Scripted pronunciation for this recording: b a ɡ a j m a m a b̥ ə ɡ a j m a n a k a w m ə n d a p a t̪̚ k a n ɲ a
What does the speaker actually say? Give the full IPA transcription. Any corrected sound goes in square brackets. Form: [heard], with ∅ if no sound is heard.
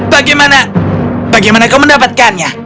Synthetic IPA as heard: b a ɡ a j m a [n] a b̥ [a] ɡ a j m a n a k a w m ə n d a p a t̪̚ k a n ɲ a